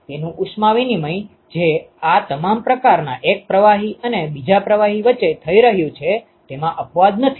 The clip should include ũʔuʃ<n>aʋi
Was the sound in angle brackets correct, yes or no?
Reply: no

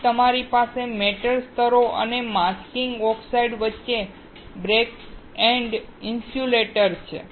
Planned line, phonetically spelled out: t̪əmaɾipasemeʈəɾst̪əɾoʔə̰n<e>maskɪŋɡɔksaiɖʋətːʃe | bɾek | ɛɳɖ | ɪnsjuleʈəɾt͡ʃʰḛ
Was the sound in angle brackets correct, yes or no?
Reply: yes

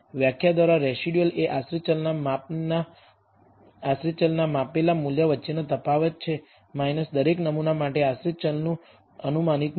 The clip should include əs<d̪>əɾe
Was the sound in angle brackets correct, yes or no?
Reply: yes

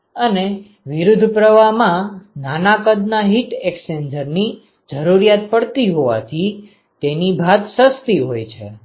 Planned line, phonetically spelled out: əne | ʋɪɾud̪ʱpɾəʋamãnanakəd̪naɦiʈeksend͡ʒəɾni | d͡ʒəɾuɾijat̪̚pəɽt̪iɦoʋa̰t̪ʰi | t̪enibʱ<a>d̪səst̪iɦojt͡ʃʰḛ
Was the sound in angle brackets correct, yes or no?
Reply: yes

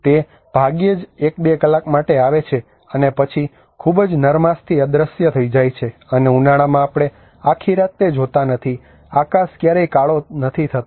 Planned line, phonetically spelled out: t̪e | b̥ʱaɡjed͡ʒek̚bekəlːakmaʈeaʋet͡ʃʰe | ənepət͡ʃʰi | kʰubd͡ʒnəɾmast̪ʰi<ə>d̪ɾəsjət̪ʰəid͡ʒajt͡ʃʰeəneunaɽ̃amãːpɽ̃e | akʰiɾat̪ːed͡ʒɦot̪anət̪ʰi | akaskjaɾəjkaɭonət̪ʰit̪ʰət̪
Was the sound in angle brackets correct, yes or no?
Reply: yes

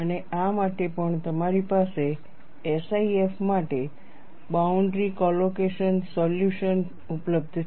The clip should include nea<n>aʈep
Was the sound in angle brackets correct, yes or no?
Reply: no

